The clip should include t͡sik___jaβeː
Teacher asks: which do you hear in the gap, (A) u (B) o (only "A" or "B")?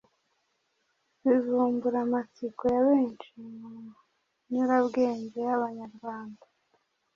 B